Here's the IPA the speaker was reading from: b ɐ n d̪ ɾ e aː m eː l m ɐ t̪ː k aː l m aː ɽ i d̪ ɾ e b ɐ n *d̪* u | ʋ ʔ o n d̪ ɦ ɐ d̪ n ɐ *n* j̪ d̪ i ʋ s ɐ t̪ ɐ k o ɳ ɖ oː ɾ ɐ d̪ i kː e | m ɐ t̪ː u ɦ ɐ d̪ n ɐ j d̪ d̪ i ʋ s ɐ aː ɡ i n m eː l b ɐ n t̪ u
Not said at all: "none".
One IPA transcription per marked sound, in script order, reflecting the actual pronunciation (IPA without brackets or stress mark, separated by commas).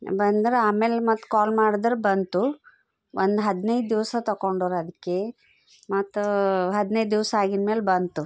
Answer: t̪, none